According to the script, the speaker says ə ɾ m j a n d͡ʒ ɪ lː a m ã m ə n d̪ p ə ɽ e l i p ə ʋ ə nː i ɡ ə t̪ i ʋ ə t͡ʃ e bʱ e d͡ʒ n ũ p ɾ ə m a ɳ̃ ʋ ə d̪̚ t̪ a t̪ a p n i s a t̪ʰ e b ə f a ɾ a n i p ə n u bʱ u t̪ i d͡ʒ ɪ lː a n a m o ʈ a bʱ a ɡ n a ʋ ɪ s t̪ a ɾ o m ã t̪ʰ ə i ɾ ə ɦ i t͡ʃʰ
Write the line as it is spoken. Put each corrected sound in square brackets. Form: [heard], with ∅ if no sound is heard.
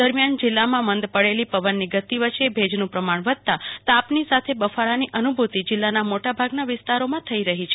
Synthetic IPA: ə ɾ m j a n d͡ʒ ɪ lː a m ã m ə n d̪ p ə ɽ e l i p ə ʋ ə nː i ɡ ə t̪ i ʋ ə t͡ʃ e bʱ e d͡ʒ n ũ p ɾ ə m a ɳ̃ ʋ ə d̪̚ t̪ a t̪ a p n i s a t̪ʰ e b ə f a ɾ a n i [ʔ] ə n u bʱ u t̪ i d͡ʒ ɪ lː a n a m o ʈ a bʱ a ɡ n a ʋ ɪ s t̪ a ɾ o m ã t̪ʰ ə i ɾ ə ɦ i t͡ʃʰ